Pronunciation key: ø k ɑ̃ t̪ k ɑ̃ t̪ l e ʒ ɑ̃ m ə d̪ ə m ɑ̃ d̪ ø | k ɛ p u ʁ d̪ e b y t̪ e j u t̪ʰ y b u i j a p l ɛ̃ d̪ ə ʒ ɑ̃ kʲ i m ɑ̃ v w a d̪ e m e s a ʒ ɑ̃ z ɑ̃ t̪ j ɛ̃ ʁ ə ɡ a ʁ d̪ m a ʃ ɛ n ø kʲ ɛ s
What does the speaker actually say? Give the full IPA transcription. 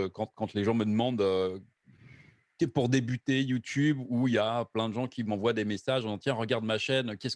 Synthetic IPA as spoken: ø k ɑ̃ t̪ k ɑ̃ t̪ l e ʒ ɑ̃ m ə d̪ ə m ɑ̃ d̪ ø | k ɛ p u ʁ d̪ e b y t̪ e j u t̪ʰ y b u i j a p l ɛ̃ d̪ ə ʒ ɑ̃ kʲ i m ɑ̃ v w a d̪ e m e s a ʒ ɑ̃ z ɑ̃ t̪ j ɛ̃ ʁ ə ɡ a ʁ d̪ m a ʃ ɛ n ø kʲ ɛ s